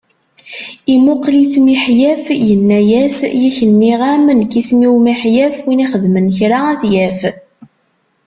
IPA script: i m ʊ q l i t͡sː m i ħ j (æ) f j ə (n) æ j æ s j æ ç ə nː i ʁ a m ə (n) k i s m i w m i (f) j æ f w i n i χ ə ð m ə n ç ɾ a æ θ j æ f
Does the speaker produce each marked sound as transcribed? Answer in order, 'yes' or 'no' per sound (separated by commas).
yes, no, yes, no